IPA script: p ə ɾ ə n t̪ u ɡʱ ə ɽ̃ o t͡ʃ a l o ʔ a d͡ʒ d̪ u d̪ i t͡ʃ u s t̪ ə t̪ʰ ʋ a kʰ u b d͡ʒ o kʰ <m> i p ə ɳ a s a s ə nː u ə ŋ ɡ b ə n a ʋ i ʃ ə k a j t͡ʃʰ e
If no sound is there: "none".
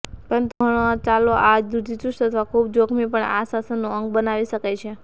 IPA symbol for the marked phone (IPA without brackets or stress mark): m